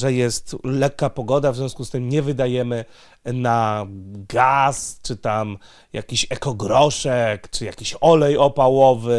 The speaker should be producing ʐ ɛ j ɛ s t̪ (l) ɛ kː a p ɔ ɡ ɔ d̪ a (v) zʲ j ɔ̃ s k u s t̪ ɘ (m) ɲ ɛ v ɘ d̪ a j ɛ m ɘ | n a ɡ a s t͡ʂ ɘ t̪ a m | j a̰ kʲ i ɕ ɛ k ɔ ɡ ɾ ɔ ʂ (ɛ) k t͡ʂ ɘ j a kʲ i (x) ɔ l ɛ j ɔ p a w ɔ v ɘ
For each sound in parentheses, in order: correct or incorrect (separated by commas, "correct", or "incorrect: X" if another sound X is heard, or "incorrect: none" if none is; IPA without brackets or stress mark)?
correct, correct, correct, correct, incorrect: ɕ